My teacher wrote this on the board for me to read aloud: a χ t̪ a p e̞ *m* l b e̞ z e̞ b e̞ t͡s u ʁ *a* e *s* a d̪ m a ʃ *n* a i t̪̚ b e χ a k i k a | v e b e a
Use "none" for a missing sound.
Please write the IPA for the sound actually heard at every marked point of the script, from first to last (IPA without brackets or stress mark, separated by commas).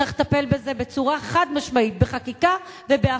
none, a, χ, m